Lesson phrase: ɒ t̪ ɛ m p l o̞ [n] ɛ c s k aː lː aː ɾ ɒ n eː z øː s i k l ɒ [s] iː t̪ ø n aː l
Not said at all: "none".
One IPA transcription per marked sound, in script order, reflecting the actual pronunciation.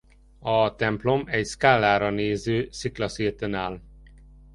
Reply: m, s

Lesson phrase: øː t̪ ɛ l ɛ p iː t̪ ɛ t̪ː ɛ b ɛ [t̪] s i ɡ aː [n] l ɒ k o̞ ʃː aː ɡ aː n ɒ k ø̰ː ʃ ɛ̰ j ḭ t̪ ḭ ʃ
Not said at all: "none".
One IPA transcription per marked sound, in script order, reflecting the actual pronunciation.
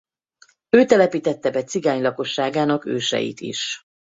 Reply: t̪, ɲ

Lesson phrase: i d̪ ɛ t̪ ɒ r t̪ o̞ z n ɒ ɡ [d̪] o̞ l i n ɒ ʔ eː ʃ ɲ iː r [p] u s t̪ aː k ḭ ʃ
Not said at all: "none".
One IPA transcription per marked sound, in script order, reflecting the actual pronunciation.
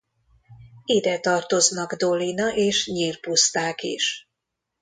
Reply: d̪, p

